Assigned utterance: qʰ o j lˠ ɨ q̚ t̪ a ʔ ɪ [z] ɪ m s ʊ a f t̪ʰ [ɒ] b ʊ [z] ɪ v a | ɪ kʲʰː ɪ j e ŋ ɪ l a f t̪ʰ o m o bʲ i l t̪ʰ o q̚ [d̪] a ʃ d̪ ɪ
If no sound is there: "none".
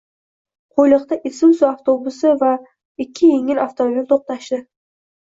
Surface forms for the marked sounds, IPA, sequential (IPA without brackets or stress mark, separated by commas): s, o, s, t̪